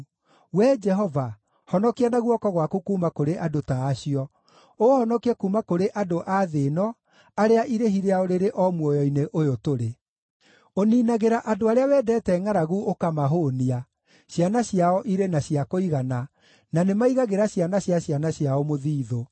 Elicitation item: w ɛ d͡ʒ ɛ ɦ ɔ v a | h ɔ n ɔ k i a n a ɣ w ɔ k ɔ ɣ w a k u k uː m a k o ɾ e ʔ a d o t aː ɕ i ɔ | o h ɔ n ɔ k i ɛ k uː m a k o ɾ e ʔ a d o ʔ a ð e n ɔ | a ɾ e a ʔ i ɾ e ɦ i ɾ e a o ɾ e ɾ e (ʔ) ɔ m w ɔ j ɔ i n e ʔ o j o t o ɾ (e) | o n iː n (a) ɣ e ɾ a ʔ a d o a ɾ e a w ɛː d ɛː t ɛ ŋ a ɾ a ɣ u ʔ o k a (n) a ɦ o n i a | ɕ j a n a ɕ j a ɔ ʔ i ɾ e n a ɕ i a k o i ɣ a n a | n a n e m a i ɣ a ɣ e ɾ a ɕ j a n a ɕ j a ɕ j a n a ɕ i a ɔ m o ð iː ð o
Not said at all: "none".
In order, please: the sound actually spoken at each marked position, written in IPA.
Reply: ʔ, e, a, m

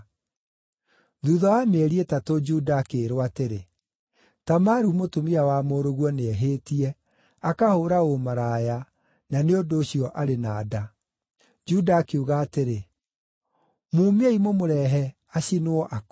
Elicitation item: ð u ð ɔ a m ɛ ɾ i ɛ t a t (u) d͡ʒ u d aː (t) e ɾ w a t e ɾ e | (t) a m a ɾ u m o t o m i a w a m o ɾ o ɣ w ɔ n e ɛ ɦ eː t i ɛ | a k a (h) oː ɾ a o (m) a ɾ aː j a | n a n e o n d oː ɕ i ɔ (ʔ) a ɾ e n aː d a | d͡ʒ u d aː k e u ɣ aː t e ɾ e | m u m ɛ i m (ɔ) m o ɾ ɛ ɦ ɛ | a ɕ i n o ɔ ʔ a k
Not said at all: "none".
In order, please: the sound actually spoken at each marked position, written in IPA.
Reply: o, k, t, h, m, ʔ, o

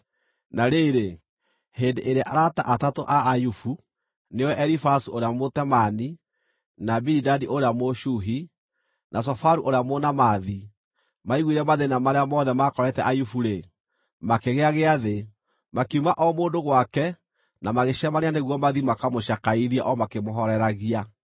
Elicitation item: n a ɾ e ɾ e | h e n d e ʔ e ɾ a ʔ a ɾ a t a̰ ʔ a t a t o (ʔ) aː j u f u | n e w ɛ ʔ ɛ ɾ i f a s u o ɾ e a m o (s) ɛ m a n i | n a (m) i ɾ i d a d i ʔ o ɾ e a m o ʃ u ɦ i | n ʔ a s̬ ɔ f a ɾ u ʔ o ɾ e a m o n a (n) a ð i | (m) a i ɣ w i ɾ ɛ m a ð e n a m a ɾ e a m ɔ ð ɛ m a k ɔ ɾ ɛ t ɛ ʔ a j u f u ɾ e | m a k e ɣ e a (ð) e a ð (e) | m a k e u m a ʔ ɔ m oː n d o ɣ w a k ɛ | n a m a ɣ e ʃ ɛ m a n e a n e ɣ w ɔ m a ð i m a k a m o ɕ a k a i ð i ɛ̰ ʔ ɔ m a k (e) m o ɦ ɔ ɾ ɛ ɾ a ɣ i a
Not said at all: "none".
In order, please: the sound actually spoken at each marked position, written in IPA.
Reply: ʔ, t, b, m, m, ɣ, e, e

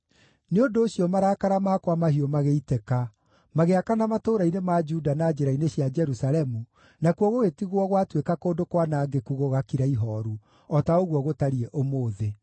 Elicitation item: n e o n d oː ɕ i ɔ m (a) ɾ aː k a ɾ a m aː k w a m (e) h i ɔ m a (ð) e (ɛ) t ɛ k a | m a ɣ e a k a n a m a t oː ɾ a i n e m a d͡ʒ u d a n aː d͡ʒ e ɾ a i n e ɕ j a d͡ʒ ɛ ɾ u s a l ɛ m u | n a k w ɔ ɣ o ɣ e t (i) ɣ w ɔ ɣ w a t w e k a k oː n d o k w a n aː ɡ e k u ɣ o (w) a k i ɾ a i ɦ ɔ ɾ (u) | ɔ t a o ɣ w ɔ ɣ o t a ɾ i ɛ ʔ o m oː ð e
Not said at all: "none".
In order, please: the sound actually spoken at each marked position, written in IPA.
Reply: a, a, ɣ, i, i, ɣ, u

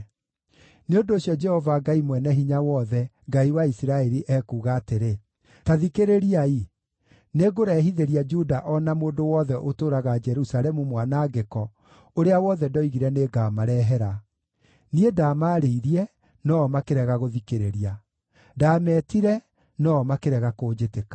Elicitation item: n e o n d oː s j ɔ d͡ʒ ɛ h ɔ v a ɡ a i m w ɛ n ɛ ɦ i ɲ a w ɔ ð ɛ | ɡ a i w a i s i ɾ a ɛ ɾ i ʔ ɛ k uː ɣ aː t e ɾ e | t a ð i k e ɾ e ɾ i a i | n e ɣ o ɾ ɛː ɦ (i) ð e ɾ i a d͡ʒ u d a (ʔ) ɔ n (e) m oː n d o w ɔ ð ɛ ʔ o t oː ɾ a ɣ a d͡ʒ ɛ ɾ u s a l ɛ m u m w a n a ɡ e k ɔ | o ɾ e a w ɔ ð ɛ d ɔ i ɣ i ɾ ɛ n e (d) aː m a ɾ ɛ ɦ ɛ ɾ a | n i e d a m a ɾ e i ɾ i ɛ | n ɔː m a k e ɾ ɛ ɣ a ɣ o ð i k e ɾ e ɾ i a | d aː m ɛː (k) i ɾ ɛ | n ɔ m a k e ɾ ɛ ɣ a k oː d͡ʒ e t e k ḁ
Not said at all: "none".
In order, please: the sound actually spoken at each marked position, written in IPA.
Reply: i, ʔ, a, ɡ, t

